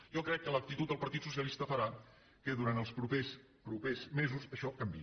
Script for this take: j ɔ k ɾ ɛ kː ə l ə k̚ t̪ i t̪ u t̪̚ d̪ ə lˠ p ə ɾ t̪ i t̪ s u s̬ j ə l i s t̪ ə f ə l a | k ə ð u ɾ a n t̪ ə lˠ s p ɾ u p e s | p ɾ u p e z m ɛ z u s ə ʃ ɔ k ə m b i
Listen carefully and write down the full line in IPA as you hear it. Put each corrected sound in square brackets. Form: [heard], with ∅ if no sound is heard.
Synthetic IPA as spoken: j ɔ k ɾ ɛ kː ə l ə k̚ t̪ i t̪ u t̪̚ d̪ ə lˠ p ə ɾ t̪ i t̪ s u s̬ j ə l i s t̪ ə f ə [ɾ] a | k ə ð u ɾ a n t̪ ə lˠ s p ɾ u p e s | p ɾ u p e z m [e] z u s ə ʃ ɔ k ə m b i